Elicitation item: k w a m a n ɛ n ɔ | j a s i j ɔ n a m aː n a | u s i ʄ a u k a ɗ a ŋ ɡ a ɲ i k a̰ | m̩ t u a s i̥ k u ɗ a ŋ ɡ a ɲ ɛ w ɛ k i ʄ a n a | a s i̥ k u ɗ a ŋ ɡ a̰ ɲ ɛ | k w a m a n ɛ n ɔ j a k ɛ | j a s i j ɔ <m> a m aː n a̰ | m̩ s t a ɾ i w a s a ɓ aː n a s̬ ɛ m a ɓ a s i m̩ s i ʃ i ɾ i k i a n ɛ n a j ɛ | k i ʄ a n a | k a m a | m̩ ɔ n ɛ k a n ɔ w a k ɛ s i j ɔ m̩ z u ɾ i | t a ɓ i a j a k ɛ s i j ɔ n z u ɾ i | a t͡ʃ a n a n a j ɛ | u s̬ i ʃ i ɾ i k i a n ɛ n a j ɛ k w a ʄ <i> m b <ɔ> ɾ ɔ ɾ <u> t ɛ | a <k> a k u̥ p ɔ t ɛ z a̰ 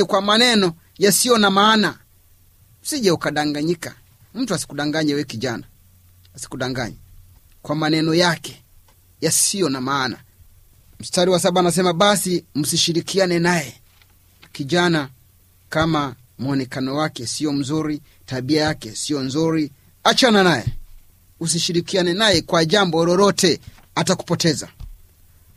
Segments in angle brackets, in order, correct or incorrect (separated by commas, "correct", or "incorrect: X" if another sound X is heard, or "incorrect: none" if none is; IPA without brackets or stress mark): incorrect: n, incorrect: a, correct, incorrect: ɔ, incorrect: t